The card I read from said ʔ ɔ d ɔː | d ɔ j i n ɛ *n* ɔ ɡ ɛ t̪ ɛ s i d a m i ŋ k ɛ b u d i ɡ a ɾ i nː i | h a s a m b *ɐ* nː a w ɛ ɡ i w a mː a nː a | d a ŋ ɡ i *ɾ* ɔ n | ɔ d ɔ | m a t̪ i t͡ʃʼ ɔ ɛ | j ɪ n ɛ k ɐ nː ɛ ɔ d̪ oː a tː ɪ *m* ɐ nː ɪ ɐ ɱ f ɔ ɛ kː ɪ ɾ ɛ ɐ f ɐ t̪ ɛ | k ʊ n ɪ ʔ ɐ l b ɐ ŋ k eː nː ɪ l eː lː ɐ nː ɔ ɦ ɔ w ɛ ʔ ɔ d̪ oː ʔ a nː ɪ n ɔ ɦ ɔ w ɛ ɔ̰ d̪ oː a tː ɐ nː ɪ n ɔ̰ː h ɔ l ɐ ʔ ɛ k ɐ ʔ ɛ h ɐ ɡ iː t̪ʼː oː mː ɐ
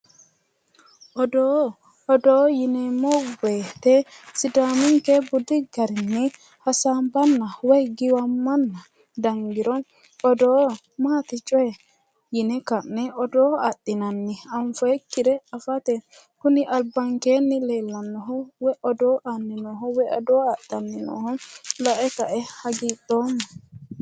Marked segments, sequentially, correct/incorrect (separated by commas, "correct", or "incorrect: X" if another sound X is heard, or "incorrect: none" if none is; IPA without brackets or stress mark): incorrect: m, incorrect: a, correct, incorrect: n